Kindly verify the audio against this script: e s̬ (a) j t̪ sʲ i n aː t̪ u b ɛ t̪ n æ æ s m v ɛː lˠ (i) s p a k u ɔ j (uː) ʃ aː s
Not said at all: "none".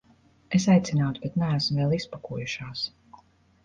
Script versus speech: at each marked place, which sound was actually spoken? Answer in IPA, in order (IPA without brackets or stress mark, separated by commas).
a, i, u